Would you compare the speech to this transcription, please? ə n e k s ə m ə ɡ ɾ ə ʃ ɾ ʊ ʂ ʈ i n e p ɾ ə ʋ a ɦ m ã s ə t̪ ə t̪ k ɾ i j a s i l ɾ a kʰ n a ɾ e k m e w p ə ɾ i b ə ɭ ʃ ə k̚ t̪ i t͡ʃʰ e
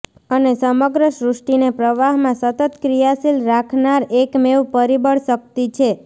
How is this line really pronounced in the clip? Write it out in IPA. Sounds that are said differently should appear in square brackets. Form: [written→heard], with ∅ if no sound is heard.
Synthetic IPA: ə n e [k→∅] s ə m ə ɡ ɾ ə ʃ ɾ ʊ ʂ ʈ i n e p ɾ ə ʋ a ɦ m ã s ə t̪ ə t̪ k ɾ i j a s i l ɾ a kʰ n a ɾ e k m e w p ə ɾ i b ə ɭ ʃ ə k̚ t̪ i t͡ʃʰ e